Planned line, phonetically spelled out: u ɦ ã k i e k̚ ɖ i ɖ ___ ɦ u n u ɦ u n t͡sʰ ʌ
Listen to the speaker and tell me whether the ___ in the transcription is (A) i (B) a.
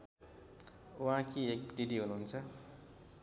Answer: A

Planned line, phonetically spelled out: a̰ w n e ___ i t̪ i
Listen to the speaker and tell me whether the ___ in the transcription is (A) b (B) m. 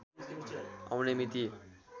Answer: B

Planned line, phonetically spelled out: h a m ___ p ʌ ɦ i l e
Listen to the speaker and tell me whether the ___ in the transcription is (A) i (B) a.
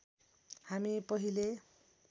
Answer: A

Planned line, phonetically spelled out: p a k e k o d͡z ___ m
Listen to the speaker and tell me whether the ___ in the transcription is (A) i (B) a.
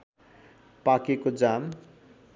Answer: B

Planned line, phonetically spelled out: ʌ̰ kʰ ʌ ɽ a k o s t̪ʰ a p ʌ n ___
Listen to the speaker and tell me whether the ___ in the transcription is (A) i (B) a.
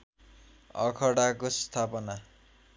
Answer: B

